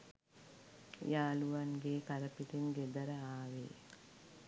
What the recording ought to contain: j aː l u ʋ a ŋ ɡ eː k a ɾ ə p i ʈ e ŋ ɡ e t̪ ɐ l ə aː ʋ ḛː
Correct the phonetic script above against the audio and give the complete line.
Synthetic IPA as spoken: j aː l u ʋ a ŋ ɡ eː k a ɾ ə p i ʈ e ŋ ɡ e d̪ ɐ ɾ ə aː ʋ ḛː